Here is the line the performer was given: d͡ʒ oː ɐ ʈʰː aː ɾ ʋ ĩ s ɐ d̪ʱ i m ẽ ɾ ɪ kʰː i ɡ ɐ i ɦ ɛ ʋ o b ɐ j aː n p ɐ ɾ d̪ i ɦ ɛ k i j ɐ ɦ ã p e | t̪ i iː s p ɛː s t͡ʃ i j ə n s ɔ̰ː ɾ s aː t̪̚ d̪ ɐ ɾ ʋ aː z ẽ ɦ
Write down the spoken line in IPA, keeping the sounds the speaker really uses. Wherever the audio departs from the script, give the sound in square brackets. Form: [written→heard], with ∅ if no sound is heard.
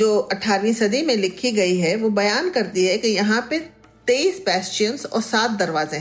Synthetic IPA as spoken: d͡ʒ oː ɐ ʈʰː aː ɾ ʋ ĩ s ɐ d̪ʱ i m ẽ [ɾ→l] ɪ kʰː i ɡ ɐ i ɦ ɛ ʋ o b ɐ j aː n [p→k] ɐ ɾ [d̪→t̪] i ɦ ɛ k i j ɐ ɦ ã p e | t̪ [i→e] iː s p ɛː s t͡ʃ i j ə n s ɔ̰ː ɾ s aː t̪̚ d̪ ɐ ɾ ʋ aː z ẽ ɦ